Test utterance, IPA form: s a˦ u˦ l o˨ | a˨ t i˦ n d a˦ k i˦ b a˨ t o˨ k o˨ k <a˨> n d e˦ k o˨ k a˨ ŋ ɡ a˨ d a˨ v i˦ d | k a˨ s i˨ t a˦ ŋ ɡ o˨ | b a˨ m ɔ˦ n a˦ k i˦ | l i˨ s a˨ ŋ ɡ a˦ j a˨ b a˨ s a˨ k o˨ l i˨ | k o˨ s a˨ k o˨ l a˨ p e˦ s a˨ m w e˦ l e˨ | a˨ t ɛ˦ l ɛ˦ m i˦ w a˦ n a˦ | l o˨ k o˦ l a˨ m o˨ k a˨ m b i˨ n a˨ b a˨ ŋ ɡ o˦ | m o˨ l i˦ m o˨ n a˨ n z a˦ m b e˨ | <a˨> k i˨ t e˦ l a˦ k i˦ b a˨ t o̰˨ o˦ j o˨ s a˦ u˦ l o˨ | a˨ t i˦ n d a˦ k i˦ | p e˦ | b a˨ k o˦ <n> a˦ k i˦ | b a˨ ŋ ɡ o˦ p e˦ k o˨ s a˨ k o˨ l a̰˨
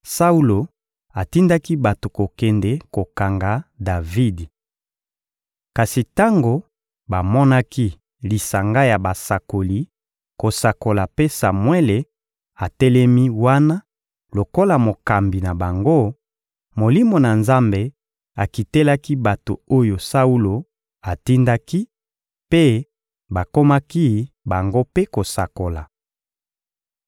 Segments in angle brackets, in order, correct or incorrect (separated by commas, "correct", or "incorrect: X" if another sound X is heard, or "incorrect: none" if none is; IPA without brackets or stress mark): incorrect: ɛ˨, correct, incorrect: m